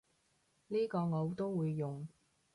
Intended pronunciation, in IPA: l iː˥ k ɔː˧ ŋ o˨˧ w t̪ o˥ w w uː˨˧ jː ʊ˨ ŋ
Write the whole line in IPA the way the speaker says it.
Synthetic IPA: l iː˥ k ɔː˧ ŋ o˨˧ w t̪ o˥ w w uː˨˧ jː ʊ˨ ŋ